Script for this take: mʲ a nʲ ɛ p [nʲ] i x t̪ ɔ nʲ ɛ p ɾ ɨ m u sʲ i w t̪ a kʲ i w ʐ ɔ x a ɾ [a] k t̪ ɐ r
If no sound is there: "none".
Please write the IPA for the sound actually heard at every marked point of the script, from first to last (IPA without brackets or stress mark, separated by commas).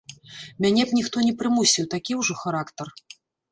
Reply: nʲ, a